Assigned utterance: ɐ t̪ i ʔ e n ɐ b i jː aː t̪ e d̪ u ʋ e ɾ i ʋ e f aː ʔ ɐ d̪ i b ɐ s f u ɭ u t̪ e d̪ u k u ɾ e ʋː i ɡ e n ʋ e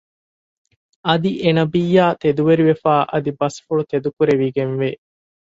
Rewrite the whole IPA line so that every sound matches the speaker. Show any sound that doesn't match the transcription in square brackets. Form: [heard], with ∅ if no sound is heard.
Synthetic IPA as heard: ɐ [d̪] i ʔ e n ɐ b i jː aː t̪ e d̪ u ʋ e ɾ i ʋ e f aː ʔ ɐ d̪ i b ɐ s f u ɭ u t̪ e d̪ u k u ɾ e [ʋ] i ɡ e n ʋ e